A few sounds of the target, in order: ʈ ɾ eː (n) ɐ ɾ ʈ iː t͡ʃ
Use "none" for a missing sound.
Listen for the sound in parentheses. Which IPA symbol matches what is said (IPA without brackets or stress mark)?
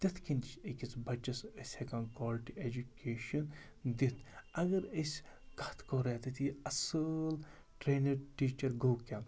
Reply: n